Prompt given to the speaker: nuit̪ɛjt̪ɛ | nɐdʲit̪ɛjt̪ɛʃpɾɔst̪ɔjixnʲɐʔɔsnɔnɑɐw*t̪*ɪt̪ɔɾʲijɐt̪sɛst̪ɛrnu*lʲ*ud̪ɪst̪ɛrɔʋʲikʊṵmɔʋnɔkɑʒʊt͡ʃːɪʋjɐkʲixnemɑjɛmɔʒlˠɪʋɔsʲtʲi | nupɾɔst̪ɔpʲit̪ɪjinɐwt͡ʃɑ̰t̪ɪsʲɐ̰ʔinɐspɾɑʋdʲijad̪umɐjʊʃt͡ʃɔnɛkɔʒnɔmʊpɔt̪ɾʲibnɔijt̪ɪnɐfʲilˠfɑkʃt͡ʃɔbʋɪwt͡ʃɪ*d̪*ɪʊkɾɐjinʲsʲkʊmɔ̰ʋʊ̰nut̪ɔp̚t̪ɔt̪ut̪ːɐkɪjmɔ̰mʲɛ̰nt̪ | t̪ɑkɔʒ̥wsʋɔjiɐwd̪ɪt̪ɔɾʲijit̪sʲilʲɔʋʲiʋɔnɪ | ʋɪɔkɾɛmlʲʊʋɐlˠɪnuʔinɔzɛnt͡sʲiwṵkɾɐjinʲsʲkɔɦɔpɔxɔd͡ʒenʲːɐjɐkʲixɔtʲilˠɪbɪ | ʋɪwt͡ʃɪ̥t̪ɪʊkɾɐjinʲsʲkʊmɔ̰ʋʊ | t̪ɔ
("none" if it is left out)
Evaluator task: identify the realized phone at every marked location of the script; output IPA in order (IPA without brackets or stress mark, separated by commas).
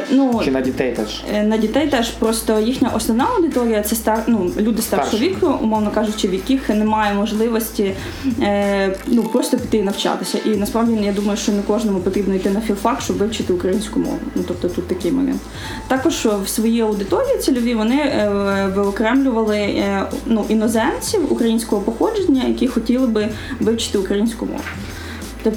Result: d̪, lʲ, t̪